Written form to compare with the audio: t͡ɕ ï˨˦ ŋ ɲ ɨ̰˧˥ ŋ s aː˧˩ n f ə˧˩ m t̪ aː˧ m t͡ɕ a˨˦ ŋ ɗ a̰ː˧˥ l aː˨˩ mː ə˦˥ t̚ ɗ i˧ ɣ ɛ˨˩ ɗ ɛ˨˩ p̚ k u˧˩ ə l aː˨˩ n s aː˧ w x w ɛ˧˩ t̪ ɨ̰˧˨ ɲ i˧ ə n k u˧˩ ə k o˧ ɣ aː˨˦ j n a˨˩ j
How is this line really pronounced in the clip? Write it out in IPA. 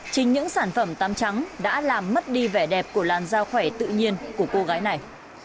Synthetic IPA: t͡ɕ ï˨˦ ŋ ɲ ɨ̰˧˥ ŋ s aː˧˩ n f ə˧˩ m t̪ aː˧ m t͡ɕ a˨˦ ŋ ɗ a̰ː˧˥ l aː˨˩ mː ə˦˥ t̚ ɗ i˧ v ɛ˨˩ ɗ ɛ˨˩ p̚ k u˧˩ ə l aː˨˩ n z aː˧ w x w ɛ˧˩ t̪ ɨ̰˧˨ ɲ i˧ ə n k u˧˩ ə k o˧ ɣ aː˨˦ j n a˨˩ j